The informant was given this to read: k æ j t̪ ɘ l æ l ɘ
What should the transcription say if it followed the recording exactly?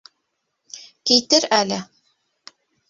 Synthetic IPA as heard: k i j t̪ ɘ ɾ æ l ɘ